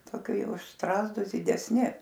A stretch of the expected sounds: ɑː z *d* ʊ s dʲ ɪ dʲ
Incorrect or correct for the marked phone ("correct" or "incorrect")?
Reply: correct